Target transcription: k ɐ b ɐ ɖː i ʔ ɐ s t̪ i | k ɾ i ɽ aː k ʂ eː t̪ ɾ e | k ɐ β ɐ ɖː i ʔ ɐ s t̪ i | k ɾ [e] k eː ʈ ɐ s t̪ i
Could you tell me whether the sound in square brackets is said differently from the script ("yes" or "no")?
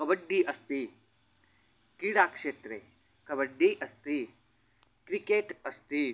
yes